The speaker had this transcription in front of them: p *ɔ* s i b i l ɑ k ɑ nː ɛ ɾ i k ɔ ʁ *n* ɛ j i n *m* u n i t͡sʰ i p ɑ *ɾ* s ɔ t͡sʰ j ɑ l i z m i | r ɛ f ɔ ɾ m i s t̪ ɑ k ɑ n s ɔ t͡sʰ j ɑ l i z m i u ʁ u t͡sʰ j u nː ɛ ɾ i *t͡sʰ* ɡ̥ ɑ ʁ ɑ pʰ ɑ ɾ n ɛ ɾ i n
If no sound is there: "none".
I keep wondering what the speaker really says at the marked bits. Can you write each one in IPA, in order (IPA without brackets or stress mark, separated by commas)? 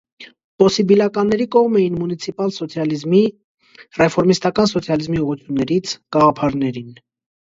ɔ, m, m, l, t͡sʰ